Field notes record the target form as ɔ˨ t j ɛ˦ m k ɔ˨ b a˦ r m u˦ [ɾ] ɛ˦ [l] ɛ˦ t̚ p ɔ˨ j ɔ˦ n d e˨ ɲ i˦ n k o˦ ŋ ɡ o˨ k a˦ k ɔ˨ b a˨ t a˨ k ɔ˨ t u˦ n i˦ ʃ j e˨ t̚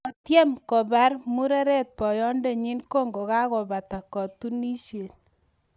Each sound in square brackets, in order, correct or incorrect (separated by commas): correct, incorrect